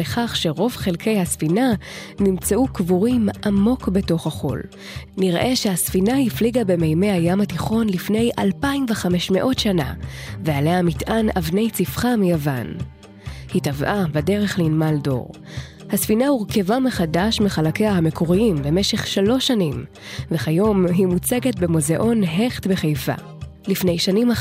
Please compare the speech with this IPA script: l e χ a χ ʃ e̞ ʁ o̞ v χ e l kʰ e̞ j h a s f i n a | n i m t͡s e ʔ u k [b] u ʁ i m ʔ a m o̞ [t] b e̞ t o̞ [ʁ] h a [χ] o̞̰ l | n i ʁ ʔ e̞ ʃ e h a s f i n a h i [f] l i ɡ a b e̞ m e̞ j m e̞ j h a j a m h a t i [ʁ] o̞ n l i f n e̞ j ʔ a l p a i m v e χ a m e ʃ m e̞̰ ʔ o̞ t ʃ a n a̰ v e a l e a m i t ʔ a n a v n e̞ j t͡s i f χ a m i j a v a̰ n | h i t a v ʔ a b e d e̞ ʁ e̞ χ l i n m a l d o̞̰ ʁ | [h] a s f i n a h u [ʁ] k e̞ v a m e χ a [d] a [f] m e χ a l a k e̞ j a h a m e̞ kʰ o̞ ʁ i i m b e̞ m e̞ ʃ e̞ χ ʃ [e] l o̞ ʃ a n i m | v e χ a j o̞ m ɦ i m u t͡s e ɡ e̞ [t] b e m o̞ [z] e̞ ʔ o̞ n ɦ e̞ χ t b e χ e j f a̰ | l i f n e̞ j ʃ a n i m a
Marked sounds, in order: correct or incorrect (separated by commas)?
incorrect, incorrect, incorrect, correct, correct, incorrect, correct, correct, correct, incorrect, incorrect, correct, correct